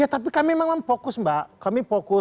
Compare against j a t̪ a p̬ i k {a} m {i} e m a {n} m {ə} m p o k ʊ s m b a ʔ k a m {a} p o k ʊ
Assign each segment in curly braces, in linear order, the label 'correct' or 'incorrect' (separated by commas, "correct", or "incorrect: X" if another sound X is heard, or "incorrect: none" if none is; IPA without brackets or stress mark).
correct, correct, incorrect: ŋ, incorrect: a, incorrect: i